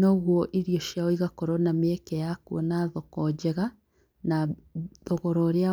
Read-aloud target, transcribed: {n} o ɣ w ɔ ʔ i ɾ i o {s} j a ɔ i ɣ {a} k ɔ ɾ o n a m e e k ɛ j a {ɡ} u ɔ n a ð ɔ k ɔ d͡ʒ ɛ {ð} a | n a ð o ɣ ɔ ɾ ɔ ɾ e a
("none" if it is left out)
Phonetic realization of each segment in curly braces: n, ʃ, a, k, ɣ

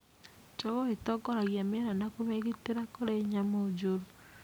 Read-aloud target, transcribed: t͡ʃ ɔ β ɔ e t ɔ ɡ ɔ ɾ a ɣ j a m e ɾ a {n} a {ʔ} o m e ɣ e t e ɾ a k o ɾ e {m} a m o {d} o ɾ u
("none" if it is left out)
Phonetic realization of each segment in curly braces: n, k, ɲ, d͡ʒ

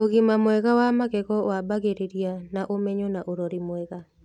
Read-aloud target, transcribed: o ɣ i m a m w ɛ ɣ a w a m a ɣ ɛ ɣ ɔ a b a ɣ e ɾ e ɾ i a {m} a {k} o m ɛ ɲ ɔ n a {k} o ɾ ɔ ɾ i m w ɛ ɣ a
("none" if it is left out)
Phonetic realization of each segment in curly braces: n, ʔ, ʔ

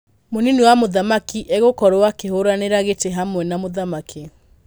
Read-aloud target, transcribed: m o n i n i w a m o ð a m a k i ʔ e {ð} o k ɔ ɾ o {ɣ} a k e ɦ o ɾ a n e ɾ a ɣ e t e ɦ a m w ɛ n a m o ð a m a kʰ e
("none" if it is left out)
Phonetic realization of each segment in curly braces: ɣ, w

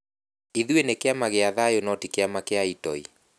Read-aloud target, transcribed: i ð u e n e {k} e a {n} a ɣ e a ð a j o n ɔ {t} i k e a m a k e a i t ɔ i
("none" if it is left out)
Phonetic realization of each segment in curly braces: k, m, t

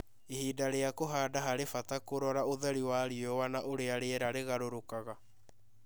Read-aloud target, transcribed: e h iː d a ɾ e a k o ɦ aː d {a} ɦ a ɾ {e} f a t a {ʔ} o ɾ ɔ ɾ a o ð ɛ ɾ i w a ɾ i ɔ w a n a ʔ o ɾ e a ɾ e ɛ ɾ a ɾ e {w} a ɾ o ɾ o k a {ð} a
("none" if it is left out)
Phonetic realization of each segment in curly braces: a, e, k, ɣ, ɣ

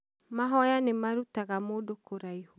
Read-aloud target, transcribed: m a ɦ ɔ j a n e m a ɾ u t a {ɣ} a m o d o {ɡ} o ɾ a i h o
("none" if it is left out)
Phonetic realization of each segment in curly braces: ɣ, k

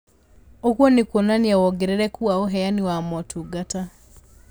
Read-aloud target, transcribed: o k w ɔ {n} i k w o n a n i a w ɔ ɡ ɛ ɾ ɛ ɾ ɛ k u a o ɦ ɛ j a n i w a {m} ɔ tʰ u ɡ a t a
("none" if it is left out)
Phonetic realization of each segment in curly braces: n, m

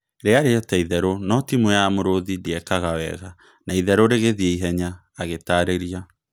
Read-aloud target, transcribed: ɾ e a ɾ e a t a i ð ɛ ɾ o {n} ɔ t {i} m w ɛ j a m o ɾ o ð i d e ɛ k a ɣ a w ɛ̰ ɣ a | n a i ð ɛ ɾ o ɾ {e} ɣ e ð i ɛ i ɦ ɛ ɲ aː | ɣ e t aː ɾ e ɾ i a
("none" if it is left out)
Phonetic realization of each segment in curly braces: n, i, e

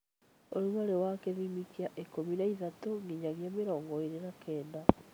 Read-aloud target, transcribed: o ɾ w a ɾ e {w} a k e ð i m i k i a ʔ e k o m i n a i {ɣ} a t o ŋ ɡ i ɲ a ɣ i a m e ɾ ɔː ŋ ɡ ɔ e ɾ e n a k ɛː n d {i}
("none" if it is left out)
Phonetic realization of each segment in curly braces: w, ð, a

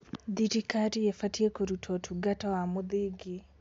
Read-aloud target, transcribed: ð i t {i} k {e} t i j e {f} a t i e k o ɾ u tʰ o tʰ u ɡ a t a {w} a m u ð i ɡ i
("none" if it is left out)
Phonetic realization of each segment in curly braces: i, a, f, w

